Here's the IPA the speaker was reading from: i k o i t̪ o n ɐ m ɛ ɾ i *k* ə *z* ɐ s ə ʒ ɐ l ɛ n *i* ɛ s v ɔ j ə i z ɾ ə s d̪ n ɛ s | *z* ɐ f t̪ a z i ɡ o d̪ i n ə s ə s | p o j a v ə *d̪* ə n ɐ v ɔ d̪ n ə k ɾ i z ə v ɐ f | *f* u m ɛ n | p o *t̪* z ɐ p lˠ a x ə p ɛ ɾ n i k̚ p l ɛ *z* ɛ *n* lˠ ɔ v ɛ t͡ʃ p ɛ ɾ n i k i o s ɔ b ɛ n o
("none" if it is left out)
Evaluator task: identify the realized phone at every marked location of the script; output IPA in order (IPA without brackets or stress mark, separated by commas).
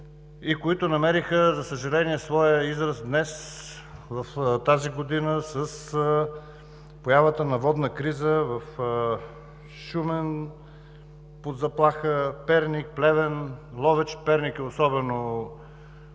x, z, i, v, t̪, ʃ, d̪, v, n